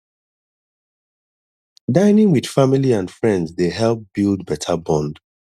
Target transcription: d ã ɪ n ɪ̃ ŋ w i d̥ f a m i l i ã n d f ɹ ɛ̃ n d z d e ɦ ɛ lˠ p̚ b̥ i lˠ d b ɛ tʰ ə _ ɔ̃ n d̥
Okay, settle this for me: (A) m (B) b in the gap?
B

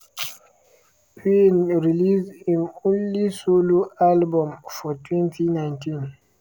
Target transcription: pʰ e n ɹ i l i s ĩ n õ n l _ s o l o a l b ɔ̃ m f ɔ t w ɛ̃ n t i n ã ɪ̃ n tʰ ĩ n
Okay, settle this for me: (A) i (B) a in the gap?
A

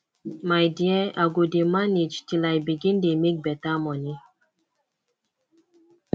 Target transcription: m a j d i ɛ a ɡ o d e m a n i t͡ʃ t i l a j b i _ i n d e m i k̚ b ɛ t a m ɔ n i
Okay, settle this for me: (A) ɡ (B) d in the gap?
A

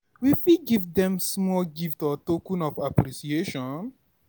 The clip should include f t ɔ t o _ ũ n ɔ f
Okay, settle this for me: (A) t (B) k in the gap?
B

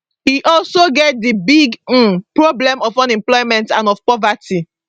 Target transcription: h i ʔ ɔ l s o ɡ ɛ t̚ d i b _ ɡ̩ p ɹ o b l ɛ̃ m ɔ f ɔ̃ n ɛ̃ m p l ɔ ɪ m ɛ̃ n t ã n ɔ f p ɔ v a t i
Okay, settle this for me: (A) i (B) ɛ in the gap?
A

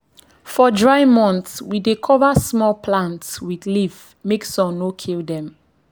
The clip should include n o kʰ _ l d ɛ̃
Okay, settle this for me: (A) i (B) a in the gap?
A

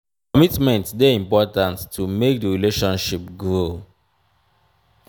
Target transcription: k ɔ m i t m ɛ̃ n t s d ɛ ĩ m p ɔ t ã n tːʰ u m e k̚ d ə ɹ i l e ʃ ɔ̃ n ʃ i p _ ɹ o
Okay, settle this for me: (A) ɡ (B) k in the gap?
A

